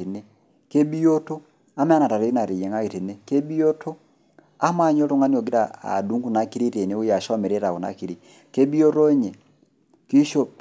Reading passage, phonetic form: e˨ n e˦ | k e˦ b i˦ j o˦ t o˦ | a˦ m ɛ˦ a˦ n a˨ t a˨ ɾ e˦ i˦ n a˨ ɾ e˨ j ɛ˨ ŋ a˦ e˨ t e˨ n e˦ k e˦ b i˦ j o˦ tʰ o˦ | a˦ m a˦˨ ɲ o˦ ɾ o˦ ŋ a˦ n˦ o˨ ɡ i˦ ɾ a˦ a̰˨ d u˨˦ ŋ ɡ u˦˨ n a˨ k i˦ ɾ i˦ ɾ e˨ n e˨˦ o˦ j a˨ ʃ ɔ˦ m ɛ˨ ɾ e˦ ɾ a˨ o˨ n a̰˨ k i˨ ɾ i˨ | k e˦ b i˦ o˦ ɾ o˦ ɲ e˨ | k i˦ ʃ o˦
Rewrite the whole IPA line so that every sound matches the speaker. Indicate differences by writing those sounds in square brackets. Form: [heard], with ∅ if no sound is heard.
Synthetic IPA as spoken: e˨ n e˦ | k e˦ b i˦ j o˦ t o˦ | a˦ m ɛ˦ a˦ n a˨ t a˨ ɾ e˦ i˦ n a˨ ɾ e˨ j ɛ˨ ŋ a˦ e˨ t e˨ n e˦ k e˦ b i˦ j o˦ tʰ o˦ | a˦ m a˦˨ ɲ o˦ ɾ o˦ ŋ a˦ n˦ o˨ ɡ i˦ ɾ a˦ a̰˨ d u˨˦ ŋ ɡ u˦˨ n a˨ k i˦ ɾ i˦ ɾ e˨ n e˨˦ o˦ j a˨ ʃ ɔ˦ m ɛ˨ ɾ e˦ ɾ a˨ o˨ n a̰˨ k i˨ ɾ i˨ | k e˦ b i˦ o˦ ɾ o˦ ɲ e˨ | k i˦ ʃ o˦